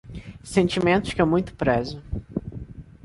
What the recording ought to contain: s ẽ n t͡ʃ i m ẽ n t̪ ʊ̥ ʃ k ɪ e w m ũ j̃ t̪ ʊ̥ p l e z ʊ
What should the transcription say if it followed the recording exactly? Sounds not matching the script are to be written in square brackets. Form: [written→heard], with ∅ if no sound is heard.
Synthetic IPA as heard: s ẽ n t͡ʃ i m ẽ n t̪ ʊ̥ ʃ k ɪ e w m ũ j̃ t̪ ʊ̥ p [l→ɾ] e z ʊ